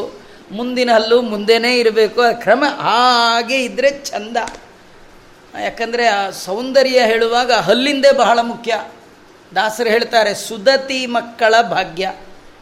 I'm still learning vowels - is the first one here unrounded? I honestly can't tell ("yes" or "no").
no